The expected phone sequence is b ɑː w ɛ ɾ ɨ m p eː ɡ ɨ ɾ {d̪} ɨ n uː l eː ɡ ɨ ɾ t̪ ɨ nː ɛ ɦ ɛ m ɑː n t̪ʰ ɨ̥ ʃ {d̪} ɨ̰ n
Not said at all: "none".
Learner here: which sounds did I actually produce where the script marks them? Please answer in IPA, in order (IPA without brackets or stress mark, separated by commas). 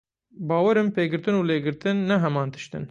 t̪, t̪